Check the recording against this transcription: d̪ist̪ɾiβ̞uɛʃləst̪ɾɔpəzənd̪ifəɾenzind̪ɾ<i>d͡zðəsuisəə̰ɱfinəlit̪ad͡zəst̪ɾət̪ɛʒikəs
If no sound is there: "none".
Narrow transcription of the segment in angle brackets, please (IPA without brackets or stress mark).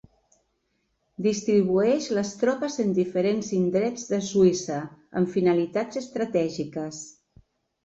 ɛ